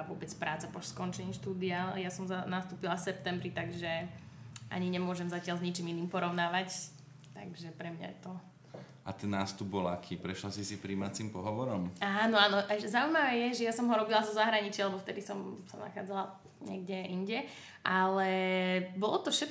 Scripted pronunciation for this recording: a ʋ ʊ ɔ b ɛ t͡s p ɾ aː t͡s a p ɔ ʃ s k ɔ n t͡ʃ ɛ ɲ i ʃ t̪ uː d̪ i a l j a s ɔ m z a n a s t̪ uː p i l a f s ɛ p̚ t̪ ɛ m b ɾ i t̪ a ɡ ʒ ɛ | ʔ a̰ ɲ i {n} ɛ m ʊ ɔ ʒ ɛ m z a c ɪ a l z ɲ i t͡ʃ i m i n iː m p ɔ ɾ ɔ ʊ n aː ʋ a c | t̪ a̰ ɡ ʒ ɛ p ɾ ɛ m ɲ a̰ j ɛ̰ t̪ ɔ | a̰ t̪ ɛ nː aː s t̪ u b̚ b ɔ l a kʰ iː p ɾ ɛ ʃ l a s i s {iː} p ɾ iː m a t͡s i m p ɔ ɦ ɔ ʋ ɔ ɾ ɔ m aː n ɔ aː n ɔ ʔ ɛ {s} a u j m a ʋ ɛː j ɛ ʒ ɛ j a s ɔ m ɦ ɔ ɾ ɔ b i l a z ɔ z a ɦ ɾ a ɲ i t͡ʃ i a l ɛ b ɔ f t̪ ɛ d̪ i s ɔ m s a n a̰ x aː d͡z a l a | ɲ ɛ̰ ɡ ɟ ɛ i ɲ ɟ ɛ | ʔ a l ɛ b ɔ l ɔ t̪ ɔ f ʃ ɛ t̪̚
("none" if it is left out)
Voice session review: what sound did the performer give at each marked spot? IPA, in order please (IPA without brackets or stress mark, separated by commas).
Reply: ɲ, i, z